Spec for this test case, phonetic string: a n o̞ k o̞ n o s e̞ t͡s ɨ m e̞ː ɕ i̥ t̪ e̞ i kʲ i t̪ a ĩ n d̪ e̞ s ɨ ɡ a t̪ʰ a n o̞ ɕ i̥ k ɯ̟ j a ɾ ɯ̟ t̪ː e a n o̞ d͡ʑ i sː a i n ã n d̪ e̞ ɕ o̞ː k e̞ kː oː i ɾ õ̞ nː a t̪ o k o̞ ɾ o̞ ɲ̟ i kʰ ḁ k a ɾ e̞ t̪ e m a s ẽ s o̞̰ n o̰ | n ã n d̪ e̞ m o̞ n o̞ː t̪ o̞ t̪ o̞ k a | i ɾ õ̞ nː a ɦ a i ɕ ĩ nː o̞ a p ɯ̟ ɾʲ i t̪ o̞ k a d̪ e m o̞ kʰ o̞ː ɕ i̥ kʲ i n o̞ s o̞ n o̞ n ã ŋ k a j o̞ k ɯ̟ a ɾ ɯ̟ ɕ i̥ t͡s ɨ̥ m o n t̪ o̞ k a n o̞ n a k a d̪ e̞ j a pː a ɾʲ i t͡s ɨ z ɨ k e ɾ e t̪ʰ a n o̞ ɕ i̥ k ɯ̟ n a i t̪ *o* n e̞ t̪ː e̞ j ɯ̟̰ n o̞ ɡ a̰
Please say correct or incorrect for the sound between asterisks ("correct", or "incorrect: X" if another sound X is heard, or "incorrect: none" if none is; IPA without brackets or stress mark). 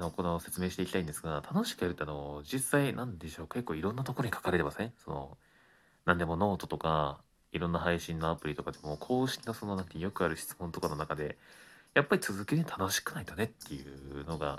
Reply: correct